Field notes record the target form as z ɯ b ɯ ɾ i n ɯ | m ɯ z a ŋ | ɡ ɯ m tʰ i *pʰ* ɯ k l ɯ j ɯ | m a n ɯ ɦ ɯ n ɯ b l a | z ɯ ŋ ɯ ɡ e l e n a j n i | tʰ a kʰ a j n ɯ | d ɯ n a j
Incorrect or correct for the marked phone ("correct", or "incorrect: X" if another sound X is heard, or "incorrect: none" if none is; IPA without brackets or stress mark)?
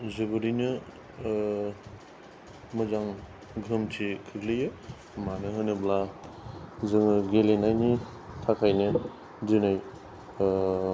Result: incorrect: kʰ